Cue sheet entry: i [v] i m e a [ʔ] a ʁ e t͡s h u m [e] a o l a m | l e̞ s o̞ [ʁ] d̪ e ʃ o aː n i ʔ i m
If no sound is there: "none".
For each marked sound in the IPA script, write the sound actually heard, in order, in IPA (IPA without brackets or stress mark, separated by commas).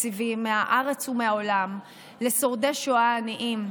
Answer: v, ʔ, e, ʁ